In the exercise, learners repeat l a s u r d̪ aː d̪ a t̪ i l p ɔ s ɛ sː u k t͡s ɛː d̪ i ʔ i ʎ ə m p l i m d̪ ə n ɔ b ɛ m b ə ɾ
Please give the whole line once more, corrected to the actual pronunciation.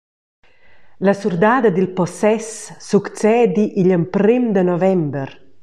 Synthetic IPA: l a s u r d̪ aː d̪ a d̪ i l p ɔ s ɛ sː u k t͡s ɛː d̪ i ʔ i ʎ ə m p ɾ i m d̪ ə n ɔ v ɛ m b ə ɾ